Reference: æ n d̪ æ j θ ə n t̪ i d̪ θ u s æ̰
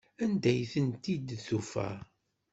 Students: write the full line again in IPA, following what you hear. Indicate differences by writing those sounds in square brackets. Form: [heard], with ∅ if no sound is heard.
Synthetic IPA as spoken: æ n d̪ æ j θ ə n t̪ i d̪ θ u [f] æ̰

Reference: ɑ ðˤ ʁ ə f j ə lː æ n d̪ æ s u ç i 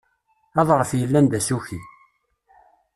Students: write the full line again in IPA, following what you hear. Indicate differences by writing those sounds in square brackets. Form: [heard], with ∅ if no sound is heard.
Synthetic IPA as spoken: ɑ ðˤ ʁ ə f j ə lː æ n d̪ æ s u ç i

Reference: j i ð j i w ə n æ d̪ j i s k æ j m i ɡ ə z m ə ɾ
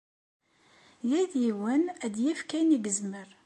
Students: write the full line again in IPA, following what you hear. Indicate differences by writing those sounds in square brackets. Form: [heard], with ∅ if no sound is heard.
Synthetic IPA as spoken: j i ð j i w ə n æ d̪ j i [f] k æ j [n] i ɡ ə z m ə ɾ

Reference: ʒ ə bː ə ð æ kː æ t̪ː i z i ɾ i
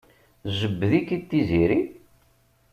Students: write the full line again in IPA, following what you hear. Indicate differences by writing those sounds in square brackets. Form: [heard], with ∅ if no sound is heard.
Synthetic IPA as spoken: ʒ ə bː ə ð [i] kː [i] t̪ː i z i ɾ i

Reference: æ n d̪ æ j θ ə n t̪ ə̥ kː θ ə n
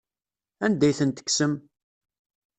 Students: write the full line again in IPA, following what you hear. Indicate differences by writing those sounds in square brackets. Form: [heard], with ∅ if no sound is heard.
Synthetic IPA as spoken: æ n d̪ æ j θ ə n t̪ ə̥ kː [s] ə [m]

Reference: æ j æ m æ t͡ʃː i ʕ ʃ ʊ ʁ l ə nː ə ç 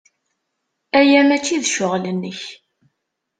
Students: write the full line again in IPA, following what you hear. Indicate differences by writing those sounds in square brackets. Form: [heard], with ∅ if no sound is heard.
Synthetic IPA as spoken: æ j æ m æ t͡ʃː i [ð] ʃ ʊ ʁ l ə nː ə ç

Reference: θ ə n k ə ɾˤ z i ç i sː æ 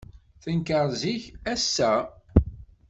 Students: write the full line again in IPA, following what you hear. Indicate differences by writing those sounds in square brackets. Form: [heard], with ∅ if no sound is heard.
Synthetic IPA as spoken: θ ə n k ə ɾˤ z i ç [æ] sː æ

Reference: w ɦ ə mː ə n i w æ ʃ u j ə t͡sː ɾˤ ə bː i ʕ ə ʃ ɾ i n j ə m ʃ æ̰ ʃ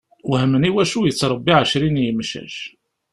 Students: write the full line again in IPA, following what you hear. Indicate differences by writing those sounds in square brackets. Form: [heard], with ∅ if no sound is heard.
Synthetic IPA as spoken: w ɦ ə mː ə n i w æ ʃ u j ə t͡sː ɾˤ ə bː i ʕ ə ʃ ɾ i n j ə m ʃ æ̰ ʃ

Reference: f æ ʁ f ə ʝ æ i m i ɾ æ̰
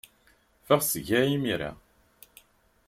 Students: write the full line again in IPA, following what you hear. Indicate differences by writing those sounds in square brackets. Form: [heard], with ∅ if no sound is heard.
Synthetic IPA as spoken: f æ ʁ [s] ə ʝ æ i m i ɾ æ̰

